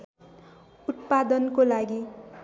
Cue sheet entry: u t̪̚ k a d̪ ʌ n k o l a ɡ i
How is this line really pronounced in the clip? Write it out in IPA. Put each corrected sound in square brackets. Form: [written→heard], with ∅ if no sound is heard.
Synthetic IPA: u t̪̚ [k→p] a d̪ ʌ n k o l a ɡ i